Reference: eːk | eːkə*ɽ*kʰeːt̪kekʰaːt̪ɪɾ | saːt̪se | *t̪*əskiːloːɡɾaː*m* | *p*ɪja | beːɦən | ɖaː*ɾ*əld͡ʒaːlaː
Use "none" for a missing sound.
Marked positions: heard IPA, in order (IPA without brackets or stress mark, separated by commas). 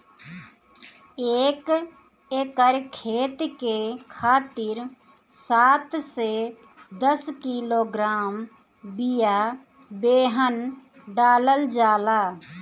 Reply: ɾ, d̪, m, b, l